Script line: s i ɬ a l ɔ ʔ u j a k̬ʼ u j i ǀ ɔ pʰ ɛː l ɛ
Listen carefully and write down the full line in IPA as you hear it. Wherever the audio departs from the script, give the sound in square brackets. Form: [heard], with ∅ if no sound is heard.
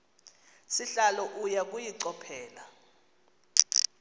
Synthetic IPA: s i ɬ a l ɔ ʔ u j a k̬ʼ u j i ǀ ɔ pʰ ɛː l [a]